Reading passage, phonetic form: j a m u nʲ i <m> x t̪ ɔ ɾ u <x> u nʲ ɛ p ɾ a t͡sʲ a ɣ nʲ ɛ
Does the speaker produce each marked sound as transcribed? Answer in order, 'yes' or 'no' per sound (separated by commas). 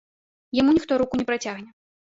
no, no